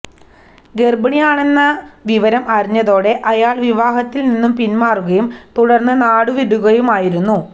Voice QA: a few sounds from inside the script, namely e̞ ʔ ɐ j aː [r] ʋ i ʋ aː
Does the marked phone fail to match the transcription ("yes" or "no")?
yes